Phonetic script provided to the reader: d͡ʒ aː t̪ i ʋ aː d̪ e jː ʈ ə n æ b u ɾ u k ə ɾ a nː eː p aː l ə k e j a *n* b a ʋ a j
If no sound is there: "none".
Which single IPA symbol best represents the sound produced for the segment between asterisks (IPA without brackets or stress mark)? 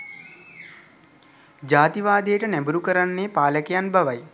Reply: n